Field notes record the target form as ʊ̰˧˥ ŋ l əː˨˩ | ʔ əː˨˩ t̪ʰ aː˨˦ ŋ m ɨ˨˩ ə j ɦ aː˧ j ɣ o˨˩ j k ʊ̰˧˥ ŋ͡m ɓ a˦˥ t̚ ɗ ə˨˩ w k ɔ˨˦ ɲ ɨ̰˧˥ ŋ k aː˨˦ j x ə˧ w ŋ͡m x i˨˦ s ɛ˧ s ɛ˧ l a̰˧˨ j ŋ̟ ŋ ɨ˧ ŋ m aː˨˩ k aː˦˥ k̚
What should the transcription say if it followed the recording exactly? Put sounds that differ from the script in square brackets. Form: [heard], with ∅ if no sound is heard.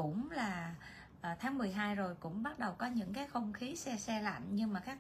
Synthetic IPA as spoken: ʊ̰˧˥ [ŋ͡m] l [aː˨˩] | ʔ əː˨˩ t̪ʰ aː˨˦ ŋ m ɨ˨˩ ə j ɦ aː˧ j [z] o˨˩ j k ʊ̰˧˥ ŋ͡m ɓ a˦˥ t̚ ɗ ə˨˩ w k ɔ˨˦ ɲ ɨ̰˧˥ ŋ k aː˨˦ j x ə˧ w ŋ͡m x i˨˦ s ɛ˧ s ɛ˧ l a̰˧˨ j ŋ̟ [ɲ] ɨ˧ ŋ m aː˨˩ k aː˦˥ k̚